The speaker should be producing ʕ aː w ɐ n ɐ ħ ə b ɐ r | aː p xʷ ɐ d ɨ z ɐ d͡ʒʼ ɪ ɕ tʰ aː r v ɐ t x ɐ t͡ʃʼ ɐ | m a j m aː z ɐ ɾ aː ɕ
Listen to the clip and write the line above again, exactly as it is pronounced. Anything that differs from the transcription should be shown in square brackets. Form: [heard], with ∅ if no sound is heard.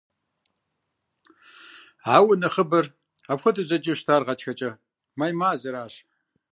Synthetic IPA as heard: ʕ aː w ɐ n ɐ [χ] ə b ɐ r | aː p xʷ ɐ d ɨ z ɐ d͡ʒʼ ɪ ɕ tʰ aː r [ʁ] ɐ t x ɐ t͡ʃʼ ɐ | m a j m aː z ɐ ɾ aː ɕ